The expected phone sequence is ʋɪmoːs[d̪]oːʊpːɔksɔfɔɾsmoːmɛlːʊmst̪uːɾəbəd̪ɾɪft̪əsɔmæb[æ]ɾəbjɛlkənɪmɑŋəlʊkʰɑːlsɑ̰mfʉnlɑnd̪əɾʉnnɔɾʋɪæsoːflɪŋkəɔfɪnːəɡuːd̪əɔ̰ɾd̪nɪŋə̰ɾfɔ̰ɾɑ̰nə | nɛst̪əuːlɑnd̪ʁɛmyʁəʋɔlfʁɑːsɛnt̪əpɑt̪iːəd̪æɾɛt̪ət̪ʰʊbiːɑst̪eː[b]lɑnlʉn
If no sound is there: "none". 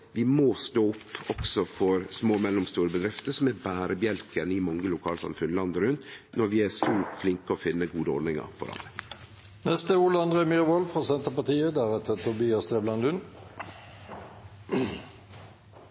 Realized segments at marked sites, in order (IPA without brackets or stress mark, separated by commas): t̪, æː, b